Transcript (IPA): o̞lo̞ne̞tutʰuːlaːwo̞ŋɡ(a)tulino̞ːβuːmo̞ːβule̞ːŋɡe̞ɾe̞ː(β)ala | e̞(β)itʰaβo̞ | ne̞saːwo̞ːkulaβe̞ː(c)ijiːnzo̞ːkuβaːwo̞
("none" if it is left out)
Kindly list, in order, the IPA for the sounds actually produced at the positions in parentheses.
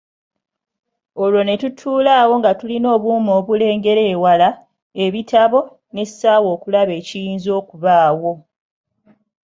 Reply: a, w, β, c

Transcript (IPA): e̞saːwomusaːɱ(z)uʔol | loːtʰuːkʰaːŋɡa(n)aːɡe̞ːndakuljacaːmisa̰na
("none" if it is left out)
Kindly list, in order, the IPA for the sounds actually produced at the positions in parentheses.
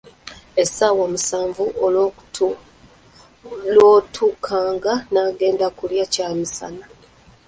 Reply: v, n

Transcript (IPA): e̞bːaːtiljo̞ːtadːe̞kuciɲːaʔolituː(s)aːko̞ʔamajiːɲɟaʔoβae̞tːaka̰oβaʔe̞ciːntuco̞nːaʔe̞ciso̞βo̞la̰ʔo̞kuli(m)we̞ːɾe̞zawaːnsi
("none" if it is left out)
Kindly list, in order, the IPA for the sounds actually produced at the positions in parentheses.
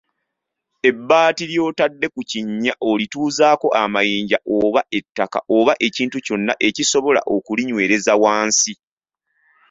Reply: z, ɲ

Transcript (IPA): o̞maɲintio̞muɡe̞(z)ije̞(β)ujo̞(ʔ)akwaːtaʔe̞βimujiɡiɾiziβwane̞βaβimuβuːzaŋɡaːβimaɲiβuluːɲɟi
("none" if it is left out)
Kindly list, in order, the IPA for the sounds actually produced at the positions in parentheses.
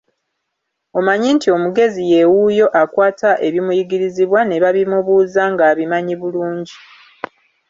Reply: z, w, ʔ

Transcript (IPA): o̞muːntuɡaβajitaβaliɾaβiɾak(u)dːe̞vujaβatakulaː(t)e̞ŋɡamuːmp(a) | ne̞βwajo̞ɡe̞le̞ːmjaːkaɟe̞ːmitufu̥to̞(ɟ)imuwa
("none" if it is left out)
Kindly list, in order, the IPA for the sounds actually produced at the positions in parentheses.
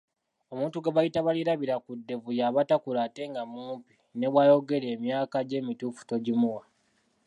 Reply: u, t, i, ɟ

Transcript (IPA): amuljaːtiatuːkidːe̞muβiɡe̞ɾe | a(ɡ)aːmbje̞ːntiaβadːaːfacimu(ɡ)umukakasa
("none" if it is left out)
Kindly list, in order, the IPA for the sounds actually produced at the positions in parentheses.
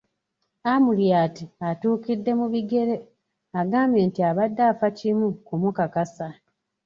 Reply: ɡ, k

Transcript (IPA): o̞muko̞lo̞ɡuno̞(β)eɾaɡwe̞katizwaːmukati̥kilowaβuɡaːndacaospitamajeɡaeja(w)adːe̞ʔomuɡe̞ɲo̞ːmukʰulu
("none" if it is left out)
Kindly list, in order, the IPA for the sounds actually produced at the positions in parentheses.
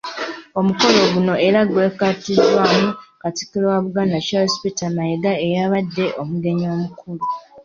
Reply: none, β

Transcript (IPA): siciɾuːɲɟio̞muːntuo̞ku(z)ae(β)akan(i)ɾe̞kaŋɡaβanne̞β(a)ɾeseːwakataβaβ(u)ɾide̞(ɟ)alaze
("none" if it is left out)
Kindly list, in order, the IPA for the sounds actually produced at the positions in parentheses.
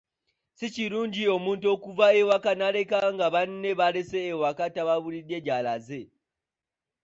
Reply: v, w, a, a, u, ɟ

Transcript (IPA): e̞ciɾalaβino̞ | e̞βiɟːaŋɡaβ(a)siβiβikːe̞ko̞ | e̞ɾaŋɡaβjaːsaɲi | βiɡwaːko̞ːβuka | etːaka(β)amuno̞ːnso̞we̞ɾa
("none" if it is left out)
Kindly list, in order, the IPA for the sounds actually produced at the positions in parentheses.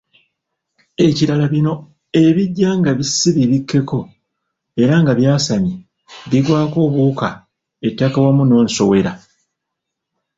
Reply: i, w

